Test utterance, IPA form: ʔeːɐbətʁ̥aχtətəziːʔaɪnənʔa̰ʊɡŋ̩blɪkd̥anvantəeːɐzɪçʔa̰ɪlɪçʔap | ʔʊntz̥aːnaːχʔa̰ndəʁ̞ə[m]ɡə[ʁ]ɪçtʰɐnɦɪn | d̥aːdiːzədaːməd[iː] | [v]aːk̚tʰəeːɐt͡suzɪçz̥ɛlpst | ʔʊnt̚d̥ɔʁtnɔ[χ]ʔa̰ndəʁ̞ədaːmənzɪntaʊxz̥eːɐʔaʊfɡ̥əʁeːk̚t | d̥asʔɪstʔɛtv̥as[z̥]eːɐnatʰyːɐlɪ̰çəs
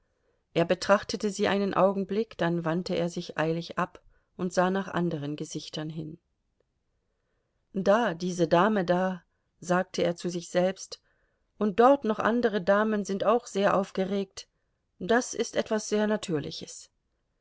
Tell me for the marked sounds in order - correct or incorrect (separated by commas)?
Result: incorrect, incorrect, incorrect, incorrect, correct, correct